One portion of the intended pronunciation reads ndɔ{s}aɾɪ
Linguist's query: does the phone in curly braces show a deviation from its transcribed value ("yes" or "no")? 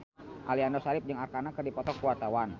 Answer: no